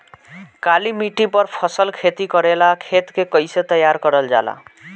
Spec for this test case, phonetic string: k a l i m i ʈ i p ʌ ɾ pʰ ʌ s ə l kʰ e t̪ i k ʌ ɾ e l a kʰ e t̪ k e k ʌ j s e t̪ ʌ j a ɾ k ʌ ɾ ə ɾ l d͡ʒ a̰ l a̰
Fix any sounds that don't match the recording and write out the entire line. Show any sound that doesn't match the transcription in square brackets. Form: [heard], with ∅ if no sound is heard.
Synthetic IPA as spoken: k a l i m i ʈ i p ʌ ɾ pʰ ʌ s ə l kʰ e t̪ i k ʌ ɾ e l a kʰ e t̪ k e k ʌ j s e t̪ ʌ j a ɾ k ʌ ɾ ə [∅] l d͡ʒ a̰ l a̰

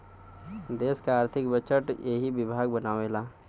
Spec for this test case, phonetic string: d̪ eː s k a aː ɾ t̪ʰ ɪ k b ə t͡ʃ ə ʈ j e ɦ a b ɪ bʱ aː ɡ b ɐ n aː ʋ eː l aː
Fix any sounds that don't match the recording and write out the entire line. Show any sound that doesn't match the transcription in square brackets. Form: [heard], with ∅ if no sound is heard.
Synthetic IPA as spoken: d̪ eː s k a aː ɾ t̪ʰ ɪ k b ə t͡ʃ ə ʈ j e ɦ [i] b ɪ bʱ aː ɡ b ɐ n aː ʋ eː l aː

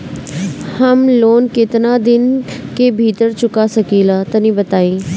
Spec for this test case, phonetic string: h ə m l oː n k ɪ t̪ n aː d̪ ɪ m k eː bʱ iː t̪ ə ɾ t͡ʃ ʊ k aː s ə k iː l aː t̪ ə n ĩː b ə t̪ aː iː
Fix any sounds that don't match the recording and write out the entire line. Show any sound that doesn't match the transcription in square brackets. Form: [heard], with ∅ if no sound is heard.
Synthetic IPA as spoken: h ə m l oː n k ɪ t̪ n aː d̪ ɪ [n] k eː bʱ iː t̪ ə ɾ t͡ʃ ʊ k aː s ə k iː l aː t̪ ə n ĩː b ə t̪ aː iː

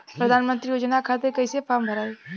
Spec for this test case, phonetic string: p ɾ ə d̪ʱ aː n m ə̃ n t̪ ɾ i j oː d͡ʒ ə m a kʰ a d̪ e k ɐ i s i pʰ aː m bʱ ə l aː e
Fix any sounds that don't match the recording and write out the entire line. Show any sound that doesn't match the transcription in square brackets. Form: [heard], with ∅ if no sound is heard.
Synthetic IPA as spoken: p ɾ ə d̪ʱ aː n m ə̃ n t̪ ɾ i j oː d͡ʒ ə [n] a kʰ a [t̪] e k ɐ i s [e] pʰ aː m bʱ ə [ɾ] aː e

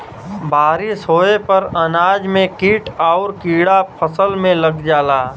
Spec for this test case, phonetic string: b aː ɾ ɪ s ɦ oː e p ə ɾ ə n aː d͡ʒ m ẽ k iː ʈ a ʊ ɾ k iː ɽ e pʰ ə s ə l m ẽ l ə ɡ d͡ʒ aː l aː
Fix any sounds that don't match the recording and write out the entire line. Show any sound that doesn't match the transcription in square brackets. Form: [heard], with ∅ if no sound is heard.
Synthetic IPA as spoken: b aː ɾ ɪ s ɦ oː e p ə ɾ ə n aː d͡ʒ m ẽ k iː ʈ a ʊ ɾ k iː ɽ [a] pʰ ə s ə l m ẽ l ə ɡ d͡ʒ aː l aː

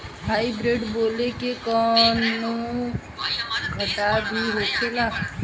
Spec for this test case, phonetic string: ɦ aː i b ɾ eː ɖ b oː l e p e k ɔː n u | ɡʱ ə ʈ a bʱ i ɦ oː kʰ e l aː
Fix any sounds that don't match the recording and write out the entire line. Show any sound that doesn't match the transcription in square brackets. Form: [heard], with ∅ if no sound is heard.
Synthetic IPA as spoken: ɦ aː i b ɾ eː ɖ b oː l e [k] e k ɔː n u | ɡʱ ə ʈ a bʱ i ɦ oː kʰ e l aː

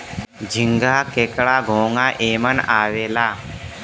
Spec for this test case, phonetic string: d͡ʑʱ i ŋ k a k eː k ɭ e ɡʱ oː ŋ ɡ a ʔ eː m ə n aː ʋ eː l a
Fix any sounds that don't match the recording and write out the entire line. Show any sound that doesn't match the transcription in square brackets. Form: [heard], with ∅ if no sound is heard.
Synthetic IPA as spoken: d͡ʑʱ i ŋ [ɡ] a k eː k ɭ [a] ɡʱ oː ŋ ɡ a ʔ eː m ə n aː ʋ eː l a

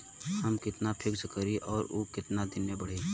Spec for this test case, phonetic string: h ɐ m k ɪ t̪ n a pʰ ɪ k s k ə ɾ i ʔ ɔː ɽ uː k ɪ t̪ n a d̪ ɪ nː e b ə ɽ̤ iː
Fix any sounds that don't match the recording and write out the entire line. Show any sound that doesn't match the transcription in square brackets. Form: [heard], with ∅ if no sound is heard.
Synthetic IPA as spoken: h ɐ m k ɪ t̪ n a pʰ ɪ k s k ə ɾ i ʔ ɔː [ɾ] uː k ɪ t̪ n a d̪ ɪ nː e b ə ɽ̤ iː

